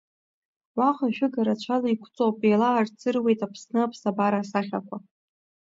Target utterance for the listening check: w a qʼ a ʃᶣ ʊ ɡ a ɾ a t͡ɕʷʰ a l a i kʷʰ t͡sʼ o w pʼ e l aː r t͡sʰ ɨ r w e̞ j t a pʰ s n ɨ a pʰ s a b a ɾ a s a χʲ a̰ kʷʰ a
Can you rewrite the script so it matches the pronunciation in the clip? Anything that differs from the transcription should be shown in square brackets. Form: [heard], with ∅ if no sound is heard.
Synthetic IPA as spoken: w a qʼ a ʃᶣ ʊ ɡ a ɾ a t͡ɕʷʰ a l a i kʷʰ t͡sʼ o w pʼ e l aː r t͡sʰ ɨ r w e̞ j t a pʰ s n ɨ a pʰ s a b a ɾ a s a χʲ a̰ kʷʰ a